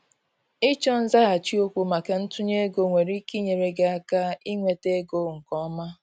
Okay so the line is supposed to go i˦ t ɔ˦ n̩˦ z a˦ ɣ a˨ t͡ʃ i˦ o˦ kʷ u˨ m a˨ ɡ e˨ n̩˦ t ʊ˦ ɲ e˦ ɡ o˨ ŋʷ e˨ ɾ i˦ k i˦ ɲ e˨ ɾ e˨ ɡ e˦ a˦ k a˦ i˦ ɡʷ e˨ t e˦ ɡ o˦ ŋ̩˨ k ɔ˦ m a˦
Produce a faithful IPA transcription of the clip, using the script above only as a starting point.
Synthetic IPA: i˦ t͡ʃ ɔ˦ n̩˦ z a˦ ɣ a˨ t͡ʃ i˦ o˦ kʷ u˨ m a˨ k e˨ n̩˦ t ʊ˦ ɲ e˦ ɡ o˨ ŋʷ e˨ ɾ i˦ k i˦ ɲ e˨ ɾ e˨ ɡ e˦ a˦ k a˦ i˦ ŋʷ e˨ t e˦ ɡ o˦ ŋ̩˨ k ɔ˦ m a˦